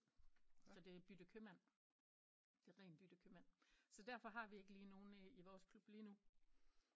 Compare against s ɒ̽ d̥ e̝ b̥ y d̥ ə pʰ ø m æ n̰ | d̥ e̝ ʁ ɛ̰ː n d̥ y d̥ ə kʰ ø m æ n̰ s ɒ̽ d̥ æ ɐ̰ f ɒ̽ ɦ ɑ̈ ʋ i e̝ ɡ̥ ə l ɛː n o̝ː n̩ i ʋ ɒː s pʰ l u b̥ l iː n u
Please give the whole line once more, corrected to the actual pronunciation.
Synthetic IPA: s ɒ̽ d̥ e̝ b̥ y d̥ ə kʰ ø m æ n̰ | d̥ e̝ ʁ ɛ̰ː n b̥ y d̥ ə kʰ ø m æ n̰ s ɒ̽ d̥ æ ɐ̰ f ɒ̽ ɦ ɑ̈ ʋ i e̝ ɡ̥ ə l iː n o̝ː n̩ i ʋ ɒː s kʰ l u b̥ l iː n u

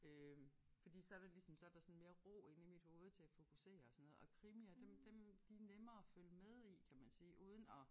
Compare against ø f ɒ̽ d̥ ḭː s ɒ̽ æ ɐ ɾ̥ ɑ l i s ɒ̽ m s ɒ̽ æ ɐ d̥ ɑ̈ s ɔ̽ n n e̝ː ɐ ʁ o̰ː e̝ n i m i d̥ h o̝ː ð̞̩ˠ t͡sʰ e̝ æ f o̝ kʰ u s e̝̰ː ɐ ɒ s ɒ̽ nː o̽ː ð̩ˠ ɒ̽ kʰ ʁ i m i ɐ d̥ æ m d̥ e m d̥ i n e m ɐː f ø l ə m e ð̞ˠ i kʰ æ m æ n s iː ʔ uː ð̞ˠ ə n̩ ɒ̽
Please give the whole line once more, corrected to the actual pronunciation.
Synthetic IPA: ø f ɒ̽ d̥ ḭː s ɒ̽ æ ɐ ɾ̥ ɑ l i s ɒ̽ m s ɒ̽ æ ɐ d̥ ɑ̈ s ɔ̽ n m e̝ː ɐ ʁ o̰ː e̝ n i m i d̥ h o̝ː ð̞̩ˠ t͡sʰ e̝ æ f o̝ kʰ u s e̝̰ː ɐ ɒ s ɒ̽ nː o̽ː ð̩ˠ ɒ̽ kʰ ʁ i m i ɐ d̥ e m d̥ e m d̥ i n e m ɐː f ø l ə m e ð̞ˠ i kʰ æ m æ n s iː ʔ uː ð̞ˠ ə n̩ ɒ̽

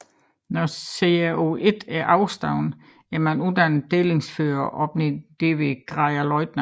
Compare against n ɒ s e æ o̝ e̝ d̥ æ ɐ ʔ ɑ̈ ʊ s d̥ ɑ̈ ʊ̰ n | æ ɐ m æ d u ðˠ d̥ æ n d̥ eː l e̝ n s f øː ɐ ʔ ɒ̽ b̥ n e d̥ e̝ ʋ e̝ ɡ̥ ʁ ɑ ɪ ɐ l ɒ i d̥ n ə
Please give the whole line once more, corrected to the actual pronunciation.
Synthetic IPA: n ɒ s e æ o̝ e̝ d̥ æ ɐ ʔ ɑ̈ ʊ s d̥ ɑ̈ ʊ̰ n | æ ɐ m æ n u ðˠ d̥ æ n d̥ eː l e̝ ŋ s f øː ɐ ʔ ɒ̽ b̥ n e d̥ e̝ ʋ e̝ ɡ̥ ʁ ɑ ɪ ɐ l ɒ ɪ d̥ n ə

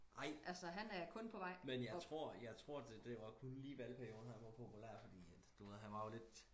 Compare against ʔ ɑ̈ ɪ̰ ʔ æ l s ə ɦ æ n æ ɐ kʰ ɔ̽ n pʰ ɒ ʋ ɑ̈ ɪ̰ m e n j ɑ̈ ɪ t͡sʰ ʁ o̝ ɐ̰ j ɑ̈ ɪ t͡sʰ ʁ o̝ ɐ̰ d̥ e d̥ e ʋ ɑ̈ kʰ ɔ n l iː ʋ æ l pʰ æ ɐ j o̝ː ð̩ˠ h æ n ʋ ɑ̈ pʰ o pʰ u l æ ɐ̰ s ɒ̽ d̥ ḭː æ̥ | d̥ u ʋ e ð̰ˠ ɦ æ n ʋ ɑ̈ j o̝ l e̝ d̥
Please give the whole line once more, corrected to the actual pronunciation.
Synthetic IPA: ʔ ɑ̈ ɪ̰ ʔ æ l s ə ɦ æ n æ ɐ kʰ ɔ̽ n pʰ ɒ ʋ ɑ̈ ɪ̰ m e n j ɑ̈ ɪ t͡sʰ ʁ o̝ ɐ̰ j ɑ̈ ɪ t͡sʰ ʁ o̝ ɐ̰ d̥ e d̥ e ʋ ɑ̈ kʰ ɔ n l iː ʋ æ l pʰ æ ɐ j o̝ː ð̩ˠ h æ n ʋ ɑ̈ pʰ o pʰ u l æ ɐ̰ f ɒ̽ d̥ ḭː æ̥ | d̥ u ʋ e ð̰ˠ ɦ æ n ʋ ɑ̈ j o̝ l e̝ d̥

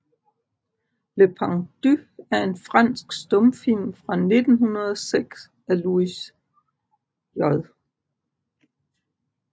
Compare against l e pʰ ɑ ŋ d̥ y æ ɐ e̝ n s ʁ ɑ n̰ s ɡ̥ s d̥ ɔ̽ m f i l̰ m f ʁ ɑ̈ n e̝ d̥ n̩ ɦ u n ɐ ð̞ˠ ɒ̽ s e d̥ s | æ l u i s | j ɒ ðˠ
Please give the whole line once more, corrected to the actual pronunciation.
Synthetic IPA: l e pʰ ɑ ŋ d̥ y æ ɐ e̝ n f ʁ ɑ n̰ s ɡ̥ s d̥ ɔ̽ m f i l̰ m f ʁ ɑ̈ n e̝ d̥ n̩ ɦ u n ɐ ð̞ˠ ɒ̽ s e ɡ̥ s | æ l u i s | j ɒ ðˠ

